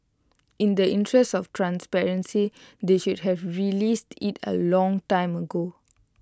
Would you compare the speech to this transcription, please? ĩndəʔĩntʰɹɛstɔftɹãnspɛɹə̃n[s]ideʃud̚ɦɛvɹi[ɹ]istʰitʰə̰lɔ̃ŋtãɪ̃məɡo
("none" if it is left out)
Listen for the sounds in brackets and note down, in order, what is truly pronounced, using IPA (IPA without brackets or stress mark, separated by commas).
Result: s, l